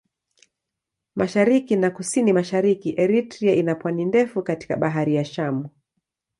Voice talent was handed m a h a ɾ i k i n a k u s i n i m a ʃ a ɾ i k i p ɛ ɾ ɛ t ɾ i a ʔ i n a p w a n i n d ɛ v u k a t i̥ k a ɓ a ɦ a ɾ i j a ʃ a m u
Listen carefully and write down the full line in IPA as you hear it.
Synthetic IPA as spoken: m a ʃ a ɾ i k i n a k u s i n i m a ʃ a ɾ i k i ʔ ɛ ɾ i t ɾ i a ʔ i n a p w a n i n d ɛ f u k a t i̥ k a ɓ a ɦ a ɾ i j a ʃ a m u